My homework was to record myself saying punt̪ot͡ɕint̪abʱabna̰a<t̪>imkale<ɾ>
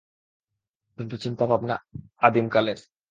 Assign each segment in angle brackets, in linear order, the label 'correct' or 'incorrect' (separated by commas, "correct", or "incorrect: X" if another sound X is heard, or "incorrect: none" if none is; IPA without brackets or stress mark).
incorrect: d̪, correct